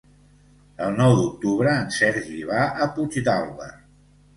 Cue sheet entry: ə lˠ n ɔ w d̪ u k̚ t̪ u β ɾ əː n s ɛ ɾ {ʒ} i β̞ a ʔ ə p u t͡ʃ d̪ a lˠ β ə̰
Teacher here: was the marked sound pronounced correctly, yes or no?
yes